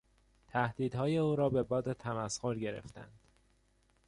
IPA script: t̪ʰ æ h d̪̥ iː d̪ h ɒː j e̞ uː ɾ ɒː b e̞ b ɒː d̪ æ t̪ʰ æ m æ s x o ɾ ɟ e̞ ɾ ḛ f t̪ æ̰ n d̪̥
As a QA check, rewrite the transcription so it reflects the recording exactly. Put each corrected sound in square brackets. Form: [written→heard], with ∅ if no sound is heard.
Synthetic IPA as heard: t̪ʰ æ h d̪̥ iː d̪ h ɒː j e̞ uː ɾ ɒː b e̞ b ɒː d̪ [æ→e] t̪ʰ æ m æ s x o ɾ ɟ e̞ ɾ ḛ f t̪ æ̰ n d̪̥